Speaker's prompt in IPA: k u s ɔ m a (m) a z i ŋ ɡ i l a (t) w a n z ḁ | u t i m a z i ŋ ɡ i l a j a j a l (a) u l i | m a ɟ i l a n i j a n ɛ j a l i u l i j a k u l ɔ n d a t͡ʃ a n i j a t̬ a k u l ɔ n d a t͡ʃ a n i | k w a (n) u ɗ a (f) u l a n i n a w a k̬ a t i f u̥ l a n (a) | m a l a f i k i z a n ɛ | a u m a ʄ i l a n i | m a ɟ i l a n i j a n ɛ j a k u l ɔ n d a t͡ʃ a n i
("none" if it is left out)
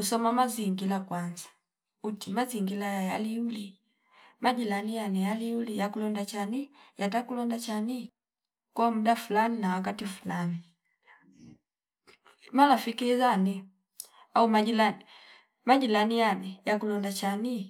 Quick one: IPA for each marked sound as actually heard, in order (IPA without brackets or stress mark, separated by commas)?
m, k, i, m, f, i